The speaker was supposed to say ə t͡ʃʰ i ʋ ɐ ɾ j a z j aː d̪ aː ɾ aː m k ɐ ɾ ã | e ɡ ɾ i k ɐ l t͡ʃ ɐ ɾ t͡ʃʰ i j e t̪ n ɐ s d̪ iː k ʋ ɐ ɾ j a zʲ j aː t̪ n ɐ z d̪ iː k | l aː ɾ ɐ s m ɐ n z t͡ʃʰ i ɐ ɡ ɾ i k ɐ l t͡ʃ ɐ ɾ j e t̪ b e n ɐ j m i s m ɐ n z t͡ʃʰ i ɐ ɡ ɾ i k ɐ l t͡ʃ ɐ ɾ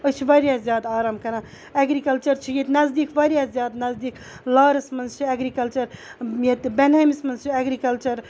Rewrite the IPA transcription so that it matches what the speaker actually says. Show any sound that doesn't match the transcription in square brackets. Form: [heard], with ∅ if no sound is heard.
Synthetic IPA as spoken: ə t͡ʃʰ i ʋ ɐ ɾ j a z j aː d̪ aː ɾ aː m k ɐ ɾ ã | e ɡ ɾ i k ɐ l t͡ʃ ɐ ɾ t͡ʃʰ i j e t̪ n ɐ [z] d̪ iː k ʋ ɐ ɾ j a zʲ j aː [d̪] n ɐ z d̪ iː k | l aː ɾ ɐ s m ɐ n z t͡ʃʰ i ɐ ɡ ɾ i k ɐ l t͡ʃ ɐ ɾ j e t̪ b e n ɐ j m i s m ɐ n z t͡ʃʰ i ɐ ɡ ɾ i k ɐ l t͡ʃ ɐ ɾ